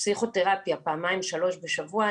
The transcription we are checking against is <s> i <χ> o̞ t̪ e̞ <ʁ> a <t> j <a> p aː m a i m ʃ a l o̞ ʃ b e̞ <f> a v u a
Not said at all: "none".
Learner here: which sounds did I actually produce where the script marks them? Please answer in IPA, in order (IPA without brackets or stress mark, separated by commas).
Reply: s, χ, ʁ, p, a, ʃ